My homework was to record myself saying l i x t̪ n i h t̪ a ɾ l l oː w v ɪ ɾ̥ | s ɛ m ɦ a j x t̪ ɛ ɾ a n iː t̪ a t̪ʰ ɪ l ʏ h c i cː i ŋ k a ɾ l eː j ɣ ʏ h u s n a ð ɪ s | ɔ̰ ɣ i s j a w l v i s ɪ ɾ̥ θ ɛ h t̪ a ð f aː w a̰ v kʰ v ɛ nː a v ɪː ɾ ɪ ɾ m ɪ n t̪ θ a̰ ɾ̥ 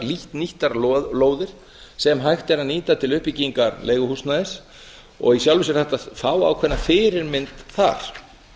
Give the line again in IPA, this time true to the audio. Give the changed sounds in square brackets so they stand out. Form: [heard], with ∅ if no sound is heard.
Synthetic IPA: l i [h] t̪ n i h t̪ a ɾ l l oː w [ð] ɪ ɾ̥ | s ɛ m ɦ a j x t̪ ɛ ɾ a n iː t̪ a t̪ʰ ɪ l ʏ h [p] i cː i ŋ k a ɾ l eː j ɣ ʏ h u s n a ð ɪ s | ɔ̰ ɣ i s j a w l v i s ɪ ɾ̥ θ ɛ h t̪ a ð f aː w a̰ [w] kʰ v ɛ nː a [f] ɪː ɾ ɪ ɾ m ɪ n t̪ θ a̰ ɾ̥